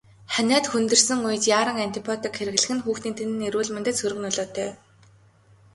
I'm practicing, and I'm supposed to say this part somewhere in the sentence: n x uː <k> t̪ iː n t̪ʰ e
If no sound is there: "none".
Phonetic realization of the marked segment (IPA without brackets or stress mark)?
x